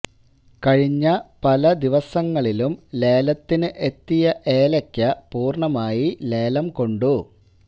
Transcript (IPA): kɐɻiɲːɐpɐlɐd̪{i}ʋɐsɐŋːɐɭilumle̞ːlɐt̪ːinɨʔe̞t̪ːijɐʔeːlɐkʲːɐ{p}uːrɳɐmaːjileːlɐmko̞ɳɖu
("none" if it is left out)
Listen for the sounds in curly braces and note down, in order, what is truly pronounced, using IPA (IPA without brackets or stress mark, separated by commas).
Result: i, p